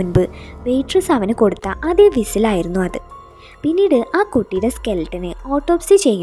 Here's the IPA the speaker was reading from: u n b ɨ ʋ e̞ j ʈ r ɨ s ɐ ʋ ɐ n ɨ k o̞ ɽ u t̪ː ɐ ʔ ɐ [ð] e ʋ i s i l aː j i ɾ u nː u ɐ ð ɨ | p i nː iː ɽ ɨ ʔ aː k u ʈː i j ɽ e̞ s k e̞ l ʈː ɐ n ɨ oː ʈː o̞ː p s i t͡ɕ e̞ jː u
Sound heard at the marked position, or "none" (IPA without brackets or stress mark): ð